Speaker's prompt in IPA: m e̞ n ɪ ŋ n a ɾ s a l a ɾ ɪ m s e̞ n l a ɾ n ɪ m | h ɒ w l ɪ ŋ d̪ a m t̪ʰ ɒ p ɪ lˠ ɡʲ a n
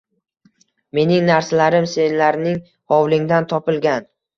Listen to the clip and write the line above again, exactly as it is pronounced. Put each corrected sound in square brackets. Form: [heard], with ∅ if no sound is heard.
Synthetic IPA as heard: m e̞ n ɪ ŋ n a ɾ s a l a ɾ ɪ m s e̞ n l a ɾ n ɪ [ŋ] | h ɒ w l ɪ ŋ d̪ a [n] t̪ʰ ɒ p ɪ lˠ ɡʲ a n